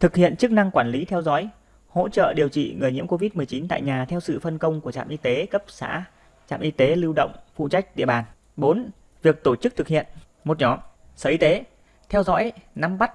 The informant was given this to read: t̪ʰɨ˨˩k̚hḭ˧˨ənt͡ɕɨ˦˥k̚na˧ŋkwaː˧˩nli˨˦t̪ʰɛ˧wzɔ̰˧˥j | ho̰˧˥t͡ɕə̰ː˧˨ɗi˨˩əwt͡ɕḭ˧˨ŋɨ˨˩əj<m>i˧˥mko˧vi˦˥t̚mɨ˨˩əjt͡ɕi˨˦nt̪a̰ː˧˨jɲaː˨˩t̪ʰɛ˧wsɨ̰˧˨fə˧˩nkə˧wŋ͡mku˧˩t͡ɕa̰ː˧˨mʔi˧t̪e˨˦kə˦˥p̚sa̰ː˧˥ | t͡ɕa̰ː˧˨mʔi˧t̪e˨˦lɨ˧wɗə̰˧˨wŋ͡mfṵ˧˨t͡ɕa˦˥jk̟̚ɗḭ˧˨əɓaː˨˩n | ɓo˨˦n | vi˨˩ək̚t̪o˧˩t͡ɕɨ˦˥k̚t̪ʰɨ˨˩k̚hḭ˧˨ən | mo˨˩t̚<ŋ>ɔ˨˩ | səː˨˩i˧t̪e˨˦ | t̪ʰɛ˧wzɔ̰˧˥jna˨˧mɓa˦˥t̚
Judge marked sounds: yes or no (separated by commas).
no, no